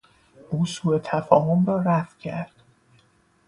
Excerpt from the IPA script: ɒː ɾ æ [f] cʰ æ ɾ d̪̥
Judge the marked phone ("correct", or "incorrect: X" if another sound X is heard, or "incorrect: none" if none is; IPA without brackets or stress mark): correct